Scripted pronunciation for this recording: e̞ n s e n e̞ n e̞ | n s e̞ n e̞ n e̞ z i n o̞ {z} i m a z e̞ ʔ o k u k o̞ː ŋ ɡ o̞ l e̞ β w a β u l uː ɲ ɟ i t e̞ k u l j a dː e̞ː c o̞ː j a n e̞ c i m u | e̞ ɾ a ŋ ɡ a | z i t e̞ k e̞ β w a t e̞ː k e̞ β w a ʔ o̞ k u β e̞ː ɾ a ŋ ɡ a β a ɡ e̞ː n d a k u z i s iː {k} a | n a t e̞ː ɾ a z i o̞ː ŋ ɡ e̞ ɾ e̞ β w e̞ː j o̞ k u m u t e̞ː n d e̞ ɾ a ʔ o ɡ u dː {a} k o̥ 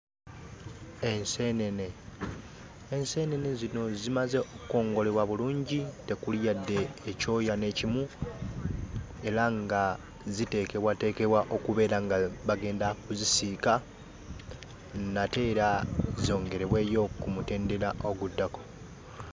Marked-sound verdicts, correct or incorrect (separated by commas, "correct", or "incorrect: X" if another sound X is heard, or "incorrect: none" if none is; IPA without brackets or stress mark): correct, correct, correct